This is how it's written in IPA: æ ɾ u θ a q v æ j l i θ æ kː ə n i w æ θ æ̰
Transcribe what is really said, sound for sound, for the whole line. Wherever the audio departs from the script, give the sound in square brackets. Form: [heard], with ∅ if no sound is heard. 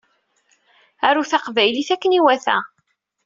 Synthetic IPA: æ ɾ u θ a q v æ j l i θ æ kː ə n i w æ θ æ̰